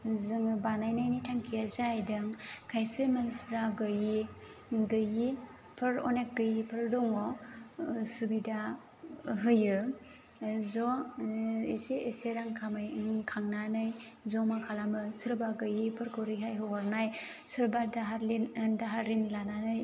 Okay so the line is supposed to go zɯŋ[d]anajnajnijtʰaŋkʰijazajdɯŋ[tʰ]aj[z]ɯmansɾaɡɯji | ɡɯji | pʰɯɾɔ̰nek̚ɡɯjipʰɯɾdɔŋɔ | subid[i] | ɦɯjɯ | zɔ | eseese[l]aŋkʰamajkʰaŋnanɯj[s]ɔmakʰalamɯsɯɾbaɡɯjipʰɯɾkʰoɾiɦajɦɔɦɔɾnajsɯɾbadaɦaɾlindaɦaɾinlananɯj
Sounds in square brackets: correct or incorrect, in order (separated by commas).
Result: incorrect, incorrect, incorrect, incorrect, incorrect, incorrect